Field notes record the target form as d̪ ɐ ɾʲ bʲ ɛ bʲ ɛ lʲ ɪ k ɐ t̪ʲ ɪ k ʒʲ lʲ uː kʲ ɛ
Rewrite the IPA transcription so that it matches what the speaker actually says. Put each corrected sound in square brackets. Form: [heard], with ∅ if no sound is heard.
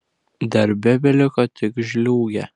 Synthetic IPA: d̪ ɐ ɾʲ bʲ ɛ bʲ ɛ lʲ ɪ k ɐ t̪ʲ ɪ k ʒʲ lʲ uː [ɡʲ] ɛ